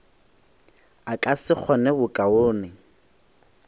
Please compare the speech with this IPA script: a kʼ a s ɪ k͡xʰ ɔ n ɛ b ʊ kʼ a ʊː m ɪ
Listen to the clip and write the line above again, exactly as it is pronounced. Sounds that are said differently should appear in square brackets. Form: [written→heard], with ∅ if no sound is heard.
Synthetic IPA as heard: a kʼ a s ɪ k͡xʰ ɔ n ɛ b ʊ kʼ a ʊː [m→n] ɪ